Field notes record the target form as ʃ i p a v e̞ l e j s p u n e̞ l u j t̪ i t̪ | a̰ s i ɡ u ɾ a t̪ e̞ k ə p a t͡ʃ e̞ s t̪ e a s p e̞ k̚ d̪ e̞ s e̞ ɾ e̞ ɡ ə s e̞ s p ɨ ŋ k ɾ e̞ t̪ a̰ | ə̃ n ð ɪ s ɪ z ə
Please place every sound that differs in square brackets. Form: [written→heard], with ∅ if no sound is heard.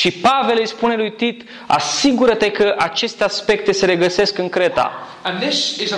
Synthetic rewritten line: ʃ i p a v e̞ l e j s p u n e̞ l u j t̪ i t̪ | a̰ s i ɡ u ɾ [a→ə] t̪ e̞ k ə [p→ʔ] a t͡ʃ e̞ s t̪ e a s p e̞ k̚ [d̪→t̪] e̞ s e̞ ɾ e̞ ɡ ə s e̞ s [p→k] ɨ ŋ k ɾ e̞ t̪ a̰ | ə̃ n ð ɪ s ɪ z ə